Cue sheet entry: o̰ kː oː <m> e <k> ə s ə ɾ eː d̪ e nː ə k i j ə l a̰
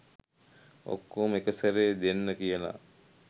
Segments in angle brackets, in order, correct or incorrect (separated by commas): correct, correct